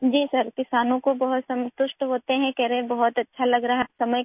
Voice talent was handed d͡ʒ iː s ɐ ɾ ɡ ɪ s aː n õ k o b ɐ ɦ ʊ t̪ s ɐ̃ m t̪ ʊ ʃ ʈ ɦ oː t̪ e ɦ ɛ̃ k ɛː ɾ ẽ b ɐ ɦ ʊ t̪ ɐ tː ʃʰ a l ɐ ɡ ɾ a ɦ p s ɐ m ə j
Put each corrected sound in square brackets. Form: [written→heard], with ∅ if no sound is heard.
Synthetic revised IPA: d͡ʒ iː s ɐ ɾ [ɡ→k] ɪ s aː n õ k o b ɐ ɦ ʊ t̪ s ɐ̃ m t̪ ʊ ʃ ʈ ɦ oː t̪ e ɦ ɛ̃ k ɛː ɾ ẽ b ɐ ɦ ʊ t̪ ɐ tː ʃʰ a l ɐ ɡ ɾ a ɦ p s ɐ m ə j